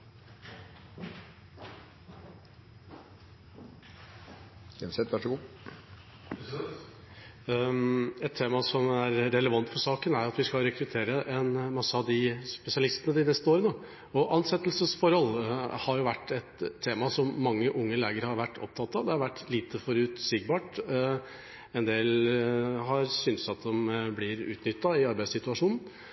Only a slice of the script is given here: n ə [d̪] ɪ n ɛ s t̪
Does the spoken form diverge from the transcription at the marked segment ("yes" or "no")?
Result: no